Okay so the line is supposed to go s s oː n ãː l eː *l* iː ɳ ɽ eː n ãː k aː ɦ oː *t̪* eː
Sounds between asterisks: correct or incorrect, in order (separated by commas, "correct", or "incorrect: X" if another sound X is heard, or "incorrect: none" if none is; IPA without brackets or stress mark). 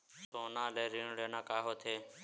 incorrect: ɾ, incorrect: t̪ʰ